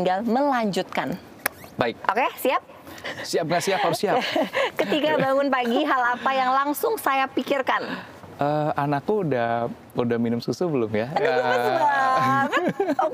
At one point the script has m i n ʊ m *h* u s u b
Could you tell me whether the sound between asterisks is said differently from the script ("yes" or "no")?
yes